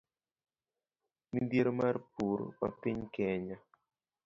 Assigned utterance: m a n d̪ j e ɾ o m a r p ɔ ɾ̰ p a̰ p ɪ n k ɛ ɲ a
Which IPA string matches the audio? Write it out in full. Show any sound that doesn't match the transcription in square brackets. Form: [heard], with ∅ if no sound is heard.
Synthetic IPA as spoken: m [i] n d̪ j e ɾ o m a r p [u] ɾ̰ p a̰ p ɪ [ɲ] k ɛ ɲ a